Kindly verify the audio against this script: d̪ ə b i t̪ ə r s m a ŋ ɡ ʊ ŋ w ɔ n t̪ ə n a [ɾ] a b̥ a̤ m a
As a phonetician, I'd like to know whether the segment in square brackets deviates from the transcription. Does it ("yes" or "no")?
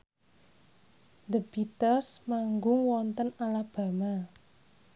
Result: yes